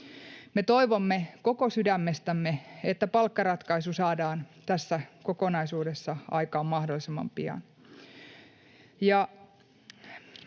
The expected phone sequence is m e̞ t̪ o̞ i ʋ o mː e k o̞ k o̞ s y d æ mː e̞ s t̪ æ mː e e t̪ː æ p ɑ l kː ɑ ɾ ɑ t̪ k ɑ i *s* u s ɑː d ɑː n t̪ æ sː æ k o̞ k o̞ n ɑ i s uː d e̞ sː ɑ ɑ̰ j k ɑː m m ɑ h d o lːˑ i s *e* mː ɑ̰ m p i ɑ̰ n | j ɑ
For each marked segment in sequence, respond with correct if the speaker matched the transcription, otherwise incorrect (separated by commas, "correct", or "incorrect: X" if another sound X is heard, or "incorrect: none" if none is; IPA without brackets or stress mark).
correct, correct